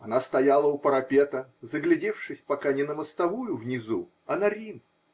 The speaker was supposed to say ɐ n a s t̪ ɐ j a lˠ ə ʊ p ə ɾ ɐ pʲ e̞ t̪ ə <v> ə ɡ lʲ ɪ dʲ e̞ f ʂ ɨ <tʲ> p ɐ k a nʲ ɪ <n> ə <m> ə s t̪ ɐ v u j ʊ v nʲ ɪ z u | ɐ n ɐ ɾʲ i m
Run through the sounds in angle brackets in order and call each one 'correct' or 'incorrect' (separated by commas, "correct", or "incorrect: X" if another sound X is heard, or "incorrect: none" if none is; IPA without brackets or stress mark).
incorrect: z, incorrect: sʲ, correct, correct